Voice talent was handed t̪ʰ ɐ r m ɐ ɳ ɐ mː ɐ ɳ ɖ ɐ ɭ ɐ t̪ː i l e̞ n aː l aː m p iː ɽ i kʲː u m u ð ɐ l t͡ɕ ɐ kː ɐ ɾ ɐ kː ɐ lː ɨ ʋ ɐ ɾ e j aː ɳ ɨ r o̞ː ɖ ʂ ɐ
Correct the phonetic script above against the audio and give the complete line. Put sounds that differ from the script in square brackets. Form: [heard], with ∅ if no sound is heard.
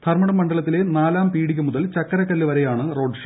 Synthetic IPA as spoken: t̪ʰ ɐ r m ɐ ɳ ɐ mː ɐ ɳ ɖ ɐ ɭ ɐ t̪ː i l e̞ n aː l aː m p iː ɽ i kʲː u m u ð ɐ l t͡ɕ ɐ kː ɐ ɾ ɐ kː ɐ lː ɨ ʋ ɐ ɾ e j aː ɳ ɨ r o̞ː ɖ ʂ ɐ